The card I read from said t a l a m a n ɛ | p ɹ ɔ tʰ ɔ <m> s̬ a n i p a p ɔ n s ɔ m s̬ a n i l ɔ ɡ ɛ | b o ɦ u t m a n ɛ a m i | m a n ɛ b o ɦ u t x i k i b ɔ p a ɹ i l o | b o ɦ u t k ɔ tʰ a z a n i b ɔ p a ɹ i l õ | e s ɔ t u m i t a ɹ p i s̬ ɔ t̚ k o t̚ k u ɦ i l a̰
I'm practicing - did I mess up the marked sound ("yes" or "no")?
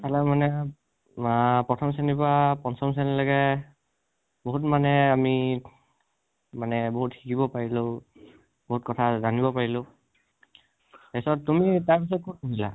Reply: no